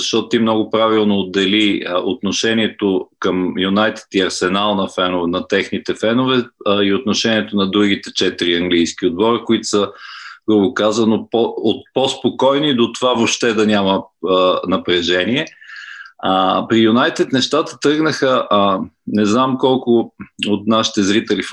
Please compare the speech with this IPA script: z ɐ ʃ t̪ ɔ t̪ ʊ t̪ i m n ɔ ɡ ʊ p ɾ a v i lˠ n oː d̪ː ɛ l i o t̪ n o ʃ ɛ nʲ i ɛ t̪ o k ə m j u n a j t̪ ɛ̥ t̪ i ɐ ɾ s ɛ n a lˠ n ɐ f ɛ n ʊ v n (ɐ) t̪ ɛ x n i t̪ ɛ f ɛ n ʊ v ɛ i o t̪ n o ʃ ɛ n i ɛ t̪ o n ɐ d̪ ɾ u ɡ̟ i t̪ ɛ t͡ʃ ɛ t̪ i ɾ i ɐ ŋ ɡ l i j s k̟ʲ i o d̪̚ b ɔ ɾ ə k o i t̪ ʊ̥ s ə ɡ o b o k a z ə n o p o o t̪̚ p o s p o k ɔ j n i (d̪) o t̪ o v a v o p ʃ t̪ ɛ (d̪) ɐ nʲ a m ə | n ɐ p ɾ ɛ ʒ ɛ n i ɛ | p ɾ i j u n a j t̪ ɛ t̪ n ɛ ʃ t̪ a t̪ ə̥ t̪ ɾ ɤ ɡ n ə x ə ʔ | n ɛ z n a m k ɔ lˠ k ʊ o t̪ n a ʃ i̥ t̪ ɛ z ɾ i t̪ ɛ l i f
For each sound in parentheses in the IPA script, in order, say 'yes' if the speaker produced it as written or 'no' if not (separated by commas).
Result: yes, yes, yes